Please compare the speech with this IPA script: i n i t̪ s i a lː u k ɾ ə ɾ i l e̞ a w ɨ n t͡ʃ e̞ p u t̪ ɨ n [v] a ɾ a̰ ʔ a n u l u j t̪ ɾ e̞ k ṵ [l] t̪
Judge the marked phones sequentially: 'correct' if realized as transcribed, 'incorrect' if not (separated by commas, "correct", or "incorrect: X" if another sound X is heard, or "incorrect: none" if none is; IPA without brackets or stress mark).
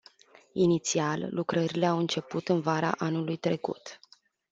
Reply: correct, incorrect: none